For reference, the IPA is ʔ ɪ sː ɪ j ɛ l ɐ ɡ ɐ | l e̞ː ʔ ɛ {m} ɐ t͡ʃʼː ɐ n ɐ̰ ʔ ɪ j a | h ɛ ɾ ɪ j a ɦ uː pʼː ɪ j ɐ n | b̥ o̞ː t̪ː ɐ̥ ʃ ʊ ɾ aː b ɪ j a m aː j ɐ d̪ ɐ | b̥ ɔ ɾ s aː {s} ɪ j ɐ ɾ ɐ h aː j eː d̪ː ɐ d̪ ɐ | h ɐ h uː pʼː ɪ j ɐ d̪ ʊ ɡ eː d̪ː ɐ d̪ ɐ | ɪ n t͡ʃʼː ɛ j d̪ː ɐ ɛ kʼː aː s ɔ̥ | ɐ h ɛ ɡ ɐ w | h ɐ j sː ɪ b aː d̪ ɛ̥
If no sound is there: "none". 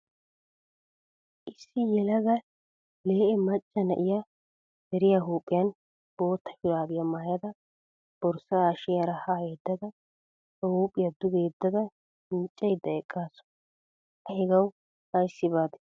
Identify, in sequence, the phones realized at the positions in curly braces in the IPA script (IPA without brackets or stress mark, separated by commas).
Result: m, ʃ